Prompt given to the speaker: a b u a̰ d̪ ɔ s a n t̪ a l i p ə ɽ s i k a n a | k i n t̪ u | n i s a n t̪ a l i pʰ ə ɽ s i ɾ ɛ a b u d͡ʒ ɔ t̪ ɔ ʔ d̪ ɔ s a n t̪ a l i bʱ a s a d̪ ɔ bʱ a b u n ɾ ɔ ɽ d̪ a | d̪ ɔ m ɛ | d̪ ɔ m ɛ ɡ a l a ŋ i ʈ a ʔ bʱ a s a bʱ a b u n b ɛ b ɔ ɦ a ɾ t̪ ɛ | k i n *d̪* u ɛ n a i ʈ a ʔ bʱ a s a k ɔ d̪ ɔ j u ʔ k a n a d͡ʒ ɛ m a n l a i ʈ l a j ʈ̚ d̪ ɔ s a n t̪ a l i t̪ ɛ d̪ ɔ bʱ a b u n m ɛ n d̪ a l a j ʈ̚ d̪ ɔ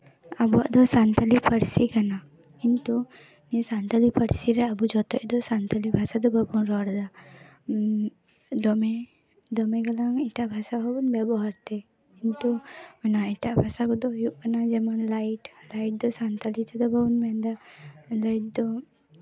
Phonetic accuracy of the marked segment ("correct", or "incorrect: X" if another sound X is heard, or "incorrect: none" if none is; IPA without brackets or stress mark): incorrect: t̪